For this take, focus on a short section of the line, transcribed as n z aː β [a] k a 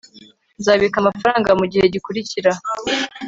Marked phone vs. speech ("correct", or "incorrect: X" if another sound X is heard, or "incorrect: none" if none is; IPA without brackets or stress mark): incorrect: i